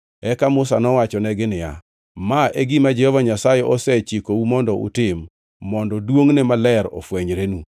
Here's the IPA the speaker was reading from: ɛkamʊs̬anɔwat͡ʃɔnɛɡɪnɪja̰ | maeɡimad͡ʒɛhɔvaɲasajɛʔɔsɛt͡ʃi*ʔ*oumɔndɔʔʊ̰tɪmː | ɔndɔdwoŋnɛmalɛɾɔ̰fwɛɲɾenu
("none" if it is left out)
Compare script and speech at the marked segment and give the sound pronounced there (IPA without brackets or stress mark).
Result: k